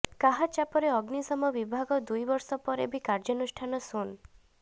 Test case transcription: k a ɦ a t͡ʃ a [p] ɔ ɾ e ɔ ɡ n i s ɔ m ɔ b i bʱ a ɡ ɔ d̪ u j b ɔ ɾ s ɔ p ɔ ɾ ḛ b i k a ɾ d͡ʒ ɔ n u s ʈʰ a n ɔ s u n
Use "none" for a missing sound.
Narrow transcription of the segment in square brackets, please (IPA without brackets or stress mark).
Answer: p